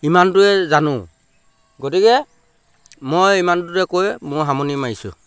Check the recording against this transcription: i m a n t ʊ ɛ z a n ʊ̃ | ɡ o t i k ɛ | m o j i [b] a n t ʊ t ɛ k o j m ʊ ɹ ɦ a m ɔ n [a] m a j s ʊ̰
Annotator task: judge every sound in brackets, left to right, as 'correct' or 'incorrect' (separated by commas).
incorrect, incorrect